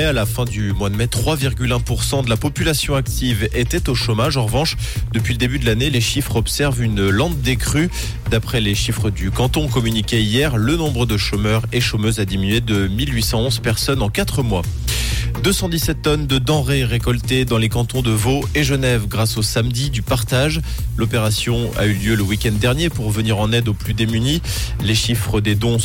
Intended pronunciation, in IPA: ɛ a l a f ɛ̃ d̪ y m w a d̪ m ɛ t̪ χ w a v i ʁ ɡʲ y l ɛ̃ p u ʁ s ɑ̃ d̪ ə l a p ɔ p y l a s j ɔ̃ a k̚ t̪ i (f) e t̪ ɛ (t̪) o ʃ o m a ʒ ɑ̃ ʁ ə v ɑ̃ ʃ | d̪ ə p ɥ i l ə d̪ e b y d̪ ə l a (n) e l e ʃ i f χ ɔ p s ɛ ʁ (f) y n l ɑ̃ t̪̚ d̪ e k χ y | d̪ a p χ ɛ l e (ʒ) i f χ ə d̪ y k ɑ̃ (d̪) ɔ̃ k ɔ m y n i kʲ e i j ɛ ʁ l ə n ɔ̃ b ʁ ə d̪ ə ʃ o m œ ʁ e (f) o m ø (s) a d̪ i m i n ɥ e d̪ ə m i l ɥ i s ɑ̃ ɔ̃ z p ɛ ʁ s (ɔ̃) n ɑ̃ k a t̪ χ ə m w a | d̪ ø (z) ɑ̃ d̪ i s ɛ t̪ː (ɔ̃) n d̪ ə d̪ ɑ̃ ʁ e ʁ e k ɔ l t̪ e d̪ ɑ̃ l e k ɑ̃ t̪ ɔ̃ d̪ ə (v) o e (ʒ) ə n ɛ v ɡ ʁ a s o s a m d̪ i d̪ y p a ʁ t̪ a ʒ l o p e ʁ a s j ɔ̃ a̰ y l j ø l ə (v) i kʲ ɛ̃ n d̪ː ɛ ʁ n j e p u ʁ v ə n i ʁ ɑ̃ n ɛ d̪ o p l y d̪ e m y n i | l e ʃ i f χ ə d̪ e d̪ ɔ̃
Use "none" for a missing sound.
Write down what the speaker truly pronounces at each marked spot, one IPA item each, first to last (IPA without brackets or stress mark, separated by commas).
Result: v, t̪, n, v, ʃ, t̪, ʃ, z, ɔ, s, ɔ, v, ʒ, w